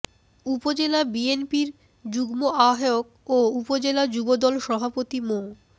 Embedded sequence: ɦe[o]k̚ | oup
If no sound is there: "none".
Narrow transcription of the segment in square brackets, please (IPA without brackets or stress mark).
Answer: o